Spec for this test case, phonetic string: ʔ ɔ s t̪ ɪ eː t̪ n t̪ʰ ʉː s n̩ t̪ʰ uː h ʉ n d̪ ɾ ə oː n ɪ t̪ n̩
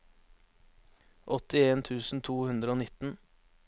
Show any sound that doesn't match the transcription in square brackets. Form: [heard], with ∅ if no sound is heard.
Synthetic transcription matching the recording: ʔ ɔ [∅] t̪ ɪ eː [∅] n t̪ʰ ʉː s n̩ t̪ʰ uː h ʉ n d̪ ɾ ə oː n ɪ t̪ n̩